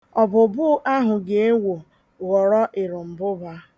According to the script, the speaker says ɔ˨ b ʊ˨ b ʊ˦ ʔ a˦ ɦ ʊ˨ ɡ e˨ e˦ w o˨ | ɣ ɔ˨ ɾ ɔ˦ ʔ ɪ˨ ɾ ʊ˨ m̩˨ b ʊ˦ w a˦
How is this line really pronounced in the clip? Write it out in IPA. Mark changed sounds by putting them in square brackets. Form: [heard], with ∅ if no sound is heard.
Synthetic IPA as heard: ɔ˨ b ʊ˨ b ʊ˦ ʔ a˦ ɦ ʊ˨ ɡ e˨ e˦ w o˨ | ɣ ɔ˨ ɾ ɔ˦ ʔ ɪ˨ ɾ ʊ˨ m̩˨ b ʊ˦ [b] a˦